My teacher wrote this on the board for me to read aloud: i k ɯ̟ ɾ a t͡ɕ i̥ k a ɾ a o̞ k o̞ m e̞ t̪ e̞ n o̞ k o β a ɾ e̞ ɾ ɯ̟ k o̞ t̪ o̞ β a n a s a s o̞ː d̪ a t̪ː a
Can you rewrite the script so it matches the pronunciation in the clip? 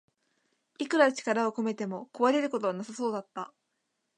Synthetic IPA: i k ɯ̟ ɾ a t͡ɕ i̥ k a ɾ a o̞ k o̞ m e̞ t̪ e̞ m o̞ k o β a ɾ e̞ ɾ ɯ̟ k o̞ t̪ o̞ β a n a s a s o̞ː d̪ a t̪ː a